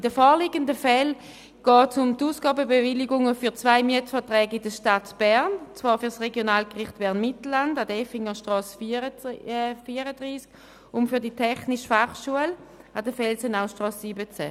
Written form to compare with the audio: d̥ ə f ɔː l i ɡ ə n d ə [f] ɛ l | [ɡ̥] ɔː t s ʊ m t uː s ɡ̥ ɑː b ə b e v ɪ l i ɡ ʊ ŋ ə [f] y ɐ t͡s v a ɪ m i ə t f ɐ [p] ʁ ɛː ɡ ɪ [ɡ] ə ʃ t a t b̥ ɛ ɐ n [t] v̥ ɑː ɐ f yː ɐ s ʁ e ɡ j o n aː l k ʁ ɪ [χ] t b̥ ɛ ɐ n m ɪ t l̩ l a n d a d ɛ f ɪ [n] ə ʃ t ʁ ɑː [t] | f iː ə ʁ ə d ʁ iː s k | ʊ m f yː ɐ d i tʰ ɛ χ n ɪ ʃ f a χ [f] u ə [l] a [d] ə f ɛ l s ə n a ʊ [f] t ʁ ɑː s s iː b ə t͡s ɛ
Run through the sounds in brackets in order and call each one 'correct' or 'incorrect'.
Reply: correct, correct, correct, incorrect: t, incorrect: d, incorrect: t͡s, correct, incorrect: ŋ, incorrect: s, incorrect: ʃ, correct, correct, incorrect: ʃ

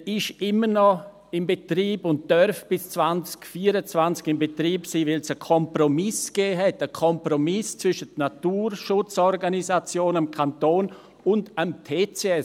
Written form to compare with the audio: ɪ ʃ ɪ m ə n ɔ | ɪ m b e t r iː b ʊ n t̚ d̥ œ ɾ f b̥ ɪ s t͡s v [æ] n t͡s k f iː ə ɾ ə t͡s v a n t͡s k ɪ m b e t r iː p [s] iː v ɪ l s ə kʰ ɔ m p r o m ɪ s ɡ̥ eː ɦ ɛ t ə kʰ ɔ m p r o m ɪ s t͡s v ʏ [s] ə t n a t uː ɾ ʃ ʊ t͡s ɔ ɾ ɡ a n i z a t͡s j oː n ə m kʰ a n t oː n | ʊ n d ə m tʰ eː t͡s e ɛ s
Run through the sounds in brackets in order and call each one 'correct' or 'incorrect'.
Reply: incorrect: a, correct, incorrect: ʃ

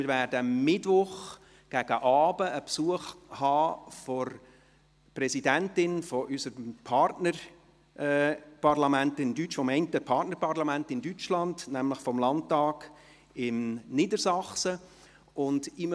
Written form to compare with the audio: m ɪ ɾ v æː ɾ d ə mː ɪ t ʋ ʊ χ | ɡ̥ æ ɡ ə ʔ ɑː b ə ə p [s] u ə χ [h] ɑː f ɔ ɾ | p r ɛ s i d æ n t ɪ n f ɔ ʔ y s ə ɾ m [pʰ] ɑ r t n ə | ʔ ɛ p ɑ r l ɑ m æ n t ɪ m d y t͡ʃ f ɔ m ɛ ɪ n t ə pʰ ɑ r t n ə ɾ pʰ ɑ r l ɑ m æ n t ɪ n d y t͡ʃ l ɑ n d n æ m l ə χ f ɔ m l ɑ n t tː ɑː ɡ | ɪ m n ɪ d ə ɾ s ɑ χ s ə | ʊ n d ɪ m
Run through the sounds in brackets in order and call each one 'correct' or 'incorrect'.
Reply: correct, correct, correct

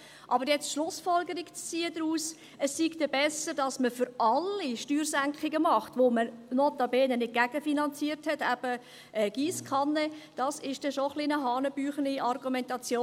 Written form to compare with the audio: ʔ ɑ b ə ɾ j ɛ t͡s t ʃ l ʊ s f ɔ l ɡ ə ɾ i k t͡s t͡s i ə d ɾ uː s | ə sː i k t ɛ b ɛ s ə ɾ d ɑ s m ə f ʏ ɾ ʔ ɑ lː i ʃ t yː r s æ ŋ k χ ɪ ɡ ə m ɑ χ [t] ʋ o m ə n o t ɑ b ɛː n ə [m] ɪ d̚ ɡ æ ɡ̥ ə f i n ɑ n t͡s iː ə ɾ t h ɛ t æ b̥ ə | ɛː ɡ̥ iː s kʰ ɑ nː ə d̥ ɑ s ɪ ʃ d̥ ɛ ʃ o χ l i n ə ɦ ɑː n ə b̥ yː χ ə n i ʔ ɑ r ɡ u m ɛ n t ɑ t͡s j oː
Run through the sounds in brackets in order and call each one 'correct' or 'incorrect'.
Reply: correct, incorrect: n

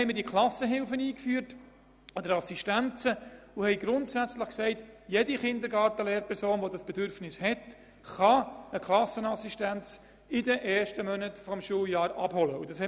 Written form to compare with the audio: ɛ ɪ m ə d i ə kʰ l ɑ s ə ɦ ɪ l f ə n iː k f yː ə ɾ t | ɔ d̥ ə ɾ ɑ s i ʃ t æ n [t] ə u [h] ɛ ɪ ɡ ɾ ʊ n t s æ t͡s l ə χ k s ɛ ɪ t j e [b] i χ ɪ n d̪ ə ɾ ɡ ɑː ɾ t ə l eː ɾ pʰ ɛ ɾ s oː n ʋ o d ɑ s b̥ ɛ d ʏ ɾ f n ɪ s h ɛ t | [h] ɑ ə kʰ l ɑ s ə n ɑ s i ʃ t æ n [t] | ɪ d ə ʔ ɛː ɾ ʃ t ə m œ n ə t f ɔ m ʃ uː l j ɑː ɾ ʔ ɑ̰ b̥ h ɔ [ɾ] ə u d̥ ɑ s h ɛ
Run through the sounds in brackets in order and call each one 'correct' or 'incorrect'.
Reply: incorrect: t͡s, correct, incorrect: d, incorrect: χ, incorrect: t͡s, incorrect: l

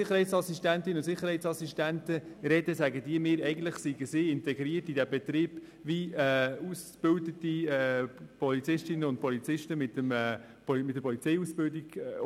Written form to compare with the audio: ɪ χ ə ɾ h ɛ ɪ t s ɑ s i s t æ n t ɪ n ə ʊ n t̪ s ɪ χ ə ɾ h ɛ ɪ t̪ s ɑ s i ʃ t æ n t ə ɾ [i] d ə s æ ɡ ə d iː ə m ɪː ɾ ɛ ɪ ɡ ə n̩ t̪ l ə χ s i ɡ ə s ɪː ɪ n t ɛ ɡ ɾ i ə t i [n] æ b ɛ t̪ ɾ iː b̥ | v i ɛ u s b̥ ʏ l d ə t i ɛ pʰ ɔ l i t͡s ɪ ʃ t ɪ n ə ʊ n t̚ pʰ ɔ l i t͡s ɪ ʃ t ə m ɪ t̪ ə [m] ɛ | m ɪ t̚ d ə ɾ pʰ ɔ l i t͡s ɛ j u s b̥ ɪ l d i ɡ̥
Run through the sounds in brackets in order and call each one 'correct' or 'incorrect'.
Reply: incorrect: ɛ, incorrect: d, correct

